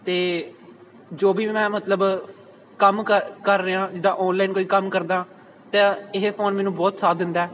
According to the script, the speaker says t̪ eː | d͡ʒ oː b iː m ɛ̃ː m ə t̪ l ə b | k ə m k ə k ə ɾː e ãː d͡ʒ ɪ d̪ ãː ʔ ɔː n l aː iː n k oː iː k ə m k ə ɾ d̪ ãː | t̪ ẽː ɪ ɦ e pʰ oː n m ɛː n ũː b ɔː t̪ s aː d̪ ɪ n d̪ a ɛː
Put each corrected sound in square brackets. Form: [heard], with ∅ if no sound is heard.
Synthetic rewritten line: t̪ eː | d͡ʒ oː b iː m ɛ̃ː m ə t̪ l ə b | k ə m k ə k ə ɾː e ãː d͡ʒ ɪ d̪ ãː ʔ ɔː n l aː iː n k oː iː k ə m k ə ɾ d̪ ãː | t̪ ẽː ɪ ɦ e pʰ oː n m ɛː n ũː b ɔː t̪ s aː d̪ ɪ n d̪ a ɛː

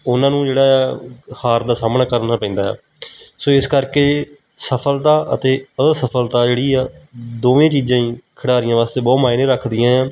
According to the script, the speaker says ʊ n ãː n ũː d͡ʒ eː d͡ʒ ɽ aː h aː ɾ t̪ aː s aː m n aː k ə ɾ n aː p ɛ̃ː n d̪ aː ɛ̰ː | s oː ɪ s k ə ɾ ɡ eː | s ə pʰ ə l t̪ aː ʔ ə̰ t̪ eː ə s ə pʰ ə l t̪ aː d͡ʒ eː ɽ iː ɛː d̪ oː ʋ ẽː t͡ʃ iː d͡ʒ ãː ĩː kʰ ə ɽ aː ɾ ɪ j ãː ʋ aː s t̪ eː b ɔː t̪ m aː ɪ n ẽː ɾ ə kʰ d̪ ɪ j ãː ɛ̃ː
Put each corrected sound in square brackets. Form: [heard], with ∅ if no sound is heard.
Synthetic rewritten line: ʊ n ãː n ũː d͡ʒ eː [∅] ɽ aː h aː ɾ [d̪] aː s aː m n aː k ə ɾ n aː p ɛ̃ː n d̪ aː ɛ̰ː | s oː ɪ s k ə ɾ [k] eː | s ə pʰ ə l t̪ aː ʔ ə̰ t̪ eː ə s ə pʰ ə l t̪ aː d͡ʒ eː ɽ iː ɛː d̪ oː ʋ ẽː t͡ʃ iː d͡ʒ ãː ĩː kʰ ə ɽ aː ɾ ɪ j ãː ʋ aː s t̪ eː b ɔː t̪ m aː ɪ n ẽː ɾ ə kʰ d̪ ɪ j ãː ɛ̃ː

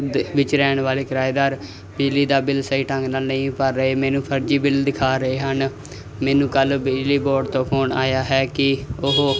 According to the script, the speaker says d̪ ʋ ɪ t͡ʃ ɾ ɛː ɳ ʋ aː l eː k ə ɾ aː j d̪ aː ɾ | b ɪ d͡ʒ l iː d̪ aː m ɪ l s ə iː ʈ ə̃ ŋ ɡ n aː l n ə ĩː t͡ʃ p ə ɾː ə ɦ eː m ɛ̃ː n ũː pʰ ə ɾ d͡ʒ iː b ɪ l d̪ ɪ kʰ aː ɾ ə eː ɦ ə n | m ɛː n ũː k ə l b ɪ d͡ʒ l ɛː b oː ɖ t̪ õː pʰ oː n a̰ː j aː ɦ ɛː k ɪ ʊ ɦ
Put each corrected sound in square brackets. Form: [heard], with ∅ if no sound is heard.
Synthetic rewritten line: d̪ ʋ ɪ t͡ʃ ɾ ɛː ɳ ʋ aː l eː k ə ɾ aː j d̪ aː ɾ | b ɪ d͡ʒ l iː d̪ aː [b] ɪ l s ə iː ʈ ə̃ ŋ ɡ n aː l n ə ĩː [∅] p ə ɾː ə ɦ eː m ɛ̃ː n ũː pʰ ə ɾ d͡ʒ iː b ɪ l d̪ ɪ kʰ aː ɾ ə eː ɦ ə n | m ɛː n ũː k ə l b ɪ d͡ʒ l [iː] b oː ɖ t̪ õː pʰ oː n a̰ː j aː ɦ ɛː k ɪ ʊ ɦ

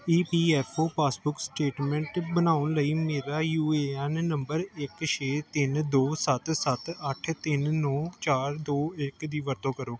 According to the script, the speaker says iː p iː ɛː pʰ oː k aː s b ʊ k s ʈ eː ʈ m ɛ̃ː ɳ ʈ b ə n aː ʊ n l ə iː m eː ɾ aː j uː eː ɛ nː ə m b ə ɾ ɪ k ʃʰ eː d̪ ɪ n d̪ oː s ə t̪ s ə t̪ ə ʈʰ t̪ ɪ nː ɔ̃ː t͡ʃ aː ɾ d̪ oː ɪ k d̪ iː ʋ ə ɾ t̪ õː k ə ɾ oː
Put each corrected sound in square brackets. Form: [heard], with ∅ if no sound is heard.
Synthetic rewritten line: iː p iː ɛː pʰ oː [p] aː s b ʊ k s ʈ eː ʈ m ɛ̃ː ɳ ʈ b ə n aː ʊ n l ə iː m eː ɾ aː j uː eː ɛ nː ə m b ə ɾ ɪ k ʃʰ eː [t̪] ɪ n d̪ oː s ə t̪ s ə t̪ ə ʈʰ t̪ ɪ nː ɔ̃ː t͡ʃ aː ɾ d̪ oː ɪ k d̪ iː ʋ ə ɾ t̪ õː k ə ɾ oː

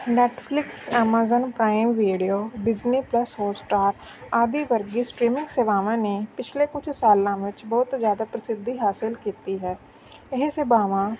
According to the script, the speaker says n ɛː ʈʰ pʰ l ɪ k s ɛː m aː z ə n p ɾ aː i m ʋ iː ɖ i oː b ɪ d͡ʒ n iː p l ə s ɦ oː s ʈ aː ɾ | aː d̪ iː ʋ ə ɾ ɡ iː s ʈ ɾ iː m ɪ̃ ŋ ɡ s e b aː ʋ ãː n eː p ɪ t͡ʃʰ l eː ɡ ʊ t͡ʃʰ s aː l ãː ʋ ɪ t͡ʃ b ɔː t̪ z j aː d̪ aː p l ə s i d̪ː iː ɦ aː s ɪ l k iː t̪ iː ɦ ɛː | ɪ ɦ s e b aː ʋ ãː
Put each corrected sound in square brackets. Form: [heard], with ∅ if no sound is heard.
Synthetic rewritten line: n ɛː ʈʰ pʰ l ɪ k s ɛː m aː z ə n p ɾ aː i m ʋ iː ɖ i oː b ɪ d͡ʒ n iː p l ə s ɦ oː s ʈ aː ɾ | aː d̪ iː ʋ ə ɾ ɡ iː s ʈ ɾ iː m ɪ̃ ŋ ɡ s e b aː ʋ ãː n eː p ɪ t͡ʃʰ l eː [k] ʊ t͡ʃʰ s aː l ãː ʋ ɪ t͡ʃ b ɔː t̪ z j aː d̪ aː p [ɾ] ə s [ɪ] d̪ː iː ɦ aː s ɪ l k iː t̪ iː ɦ ɛː | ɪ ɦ s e b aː ʋ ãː

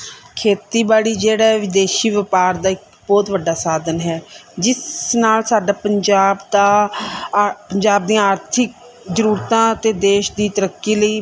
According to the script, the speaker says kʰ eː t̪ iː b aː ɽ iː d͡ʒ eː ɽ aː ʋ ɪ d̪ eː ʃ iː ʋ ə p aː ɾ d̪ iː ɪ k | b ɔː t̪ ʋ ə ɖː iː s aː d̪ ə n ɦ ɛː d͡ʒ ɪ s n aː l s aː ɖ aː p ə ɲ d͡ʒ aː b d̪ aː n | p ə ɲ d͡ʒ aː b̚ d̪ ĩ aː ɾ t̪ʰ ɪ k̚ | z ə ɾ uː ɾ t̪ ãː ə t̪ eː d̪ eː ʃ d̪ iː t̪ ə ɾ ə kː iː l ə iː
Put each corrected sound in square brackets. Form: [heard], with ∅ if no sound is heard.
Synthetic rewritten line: kʰ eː t̪ iː b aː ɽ iː d͡ʒ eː ɽ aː ʋ ɪ d̪ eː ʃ iː ʋ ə p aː ɾ d̪ [aː] ɪ k | b ɔː t̪ ʋ ə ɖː [aː] s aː d̪ ə n ɦ ɛː d͡ʒ ɪ s n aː l s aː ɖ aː p ə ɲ d͡ʒ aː b d̪ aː [∅] | p ə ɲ d͡ʒ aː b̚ d̪ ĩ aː ɾ t̪ʰ ɪ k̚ | z ə ɾ uː ɾ t̪ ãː ə t̪ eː d̪ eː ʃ d̪ iː t̪ ə ɾ ə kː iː l ə iː

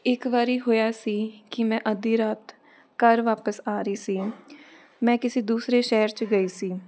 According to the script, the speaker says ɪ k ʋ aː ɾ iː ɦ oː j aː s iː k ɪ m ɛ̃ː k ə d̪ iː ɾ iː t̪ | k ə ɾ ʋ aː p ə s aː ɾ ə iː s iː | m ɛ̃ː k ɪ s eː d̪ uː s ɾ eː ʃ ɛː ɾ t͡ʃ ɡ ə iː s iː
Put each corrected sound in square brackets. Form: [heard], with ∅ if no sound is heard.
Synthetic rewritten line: ɪ k ʋ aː ɾ iː ɦ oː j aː s iː k ɪ m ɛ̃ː [ʔ] ə d̪ iː ɾ [aː] t̪ | k ə ɾ ʋ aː p ə s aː ɾ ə iː s iː | m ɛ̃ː k ɪ s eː d̪ uː s ɾ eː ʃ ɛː ɾ t͡ʃ ɡ ə iː s iː

